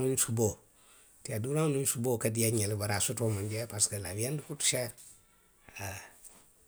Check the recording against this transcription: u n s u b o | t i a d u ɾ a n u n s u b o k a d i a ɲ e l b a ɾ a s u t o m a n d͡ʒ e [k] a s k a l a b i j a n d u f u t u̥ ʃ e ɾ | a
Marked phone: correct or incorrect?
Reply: incorrect